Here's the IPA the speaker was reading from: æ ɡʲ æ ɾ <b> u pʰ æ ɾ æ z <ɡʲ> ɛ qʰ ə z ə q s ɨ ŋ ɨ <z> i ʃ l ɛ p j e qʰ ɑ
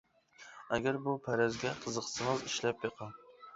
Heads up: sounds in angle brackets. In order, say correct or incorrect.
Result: correct, correct, correct

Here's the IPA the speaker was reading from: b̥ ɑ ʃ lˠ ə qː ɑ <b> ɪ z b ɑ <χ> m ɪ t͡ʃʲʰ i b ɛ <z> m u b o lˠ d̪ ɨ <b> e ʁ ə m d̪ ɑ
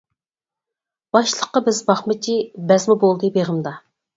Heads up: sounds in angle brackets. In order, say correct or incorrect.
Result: correct, correct, correct, correct

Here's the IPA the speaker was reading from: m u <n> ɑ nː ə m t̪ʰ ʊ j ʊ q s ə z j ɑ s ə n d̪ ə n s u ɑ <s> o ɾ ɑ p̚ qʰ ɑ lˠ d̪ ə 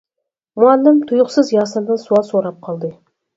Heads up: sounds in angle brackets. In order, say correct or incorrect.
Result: incorrect, correct

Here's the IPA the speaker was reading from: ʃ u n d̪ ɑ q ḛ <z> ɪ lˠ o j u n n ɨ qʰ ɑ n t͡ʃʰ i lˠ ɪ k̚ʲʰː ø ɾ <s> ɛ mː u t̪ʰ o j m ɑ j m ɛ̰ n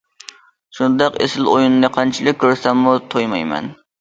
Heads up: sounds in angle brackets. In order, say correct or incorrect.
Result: incorrect, correct

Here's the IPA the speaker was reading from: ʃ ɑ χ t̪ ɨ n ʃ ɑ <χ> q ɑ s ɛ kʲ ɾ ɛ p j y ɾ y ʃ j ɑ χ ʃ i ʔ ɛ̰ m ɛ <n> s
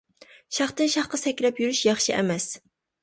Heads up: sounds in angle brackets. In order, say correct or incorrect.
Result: correct, incorrect

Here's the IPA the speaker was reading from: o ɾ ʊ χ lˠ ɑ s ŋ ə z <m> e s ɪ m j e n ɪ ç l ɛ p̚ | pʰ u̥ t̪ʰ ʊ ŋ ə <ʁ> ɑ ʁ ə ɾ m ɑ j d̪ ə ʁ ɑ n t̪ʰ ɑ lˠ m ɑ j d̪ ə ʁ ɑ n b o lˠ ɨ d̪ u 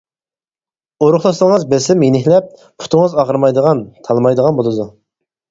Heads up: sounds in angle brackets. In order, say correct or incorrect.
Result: incorrect, incorrect

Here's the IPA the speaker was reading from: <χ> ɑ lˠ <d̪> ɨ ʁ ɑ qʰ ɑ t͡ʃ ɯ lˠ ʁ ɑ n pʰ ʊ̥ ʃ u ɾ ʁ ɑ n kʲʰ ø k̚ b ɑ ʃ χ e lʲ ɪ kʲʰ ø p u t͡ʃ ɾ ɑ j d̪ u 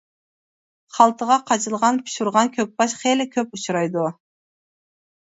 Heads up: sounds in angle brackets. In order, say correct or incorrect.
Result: correct, incorrect

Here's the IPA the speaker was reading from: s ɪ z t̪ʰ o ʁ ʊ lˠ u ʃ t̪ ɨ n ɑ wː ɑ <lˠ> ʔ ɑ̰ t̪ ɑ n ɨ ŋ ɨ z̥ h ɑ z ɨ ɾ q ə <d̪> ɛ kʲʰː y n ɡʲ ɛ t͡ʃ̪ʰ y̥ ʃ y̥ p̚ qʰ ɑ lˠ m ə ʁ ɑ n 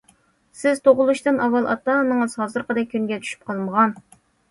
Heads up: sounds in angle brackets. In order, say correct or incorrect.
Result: correct, correct

